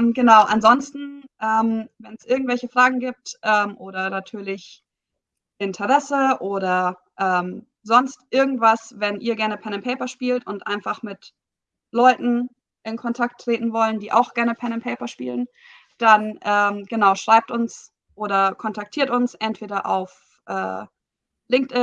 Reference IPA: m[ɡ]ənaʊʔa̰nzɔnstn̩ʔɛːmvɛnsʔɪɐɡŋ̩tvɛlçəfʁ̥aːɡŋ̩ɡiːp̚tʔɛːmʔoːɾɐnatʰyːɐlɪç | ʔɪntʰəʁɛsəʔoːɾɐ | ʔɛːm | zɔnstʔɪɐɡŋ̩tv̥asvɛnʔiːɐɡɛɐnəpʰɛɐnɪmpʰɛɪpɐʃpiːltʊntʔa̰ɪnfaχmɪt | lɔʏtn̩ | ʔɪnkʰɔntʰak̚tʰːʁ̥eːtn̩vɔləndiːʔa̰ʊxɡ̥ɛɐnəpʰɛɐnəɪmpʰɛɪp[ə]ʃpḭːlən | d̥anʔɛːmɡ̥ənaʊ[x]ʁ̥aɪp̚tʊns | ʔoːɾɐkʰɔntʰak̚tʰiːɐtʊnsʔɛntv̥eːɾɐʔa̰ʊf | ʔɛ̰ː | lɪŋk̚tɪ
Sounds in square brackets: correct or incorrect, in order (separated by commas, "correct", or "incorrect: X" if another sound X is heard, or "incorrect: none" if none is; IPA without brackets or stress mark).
correct, incorrect: ɐ, incorrect: ʃ